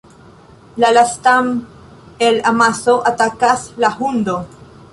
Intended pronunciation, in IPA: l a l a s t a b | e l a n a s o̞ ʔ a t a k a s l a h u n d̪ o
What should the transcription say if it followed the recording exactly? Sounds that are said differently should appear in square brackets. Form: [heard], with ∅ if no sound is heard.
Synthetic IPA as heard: l a l a s t a [m] | e l a [m] a s o̞ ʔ a t a k a s l a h u n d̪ o